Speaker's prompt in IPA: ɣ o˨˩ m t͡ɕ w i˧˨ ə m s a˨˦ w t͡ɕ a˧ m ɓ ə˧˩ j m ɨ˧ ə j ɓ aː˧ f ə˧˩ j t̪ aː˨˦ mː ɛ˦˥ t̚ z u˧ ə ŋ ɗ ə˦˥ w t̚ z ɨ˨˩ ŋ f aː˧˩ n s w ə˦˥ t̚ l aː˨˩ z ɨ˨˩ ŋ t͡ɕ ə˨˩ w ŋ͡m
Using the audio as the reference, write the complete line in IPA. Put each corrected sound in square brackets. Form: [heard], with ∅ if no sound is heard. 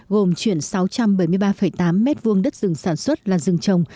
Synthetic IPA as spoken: ɣ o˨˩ m t͡ɕ w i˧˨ ə [n] s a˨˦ w t͡ɕ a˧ m ɓ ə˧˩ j m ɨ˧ ə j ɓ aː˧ f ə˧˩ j t̪ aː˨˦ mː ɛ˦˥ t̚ [v] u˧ ə ŋ ɗ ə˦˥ [∅] t̚ z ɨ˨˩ ŋ [s] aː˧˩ n s w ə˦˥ t̚ l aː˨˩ z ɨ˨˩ ŋ t͡ɕ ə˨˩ w ŋ͡m